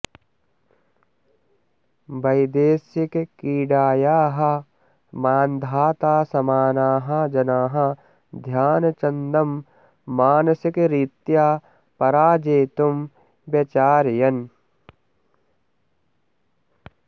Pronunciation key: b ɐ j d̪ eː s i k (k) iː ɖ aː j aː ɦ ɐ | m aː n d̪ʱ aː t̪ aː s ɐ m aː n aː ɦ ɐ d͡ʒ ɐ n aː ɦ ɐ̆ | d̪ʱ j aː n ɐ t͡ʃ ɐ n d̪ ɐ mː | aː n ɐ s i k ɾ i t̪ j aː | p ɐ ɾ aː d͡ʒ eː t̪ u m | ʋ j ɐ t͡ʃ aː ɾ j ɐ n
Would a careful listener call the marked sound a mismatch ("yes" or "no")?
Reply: no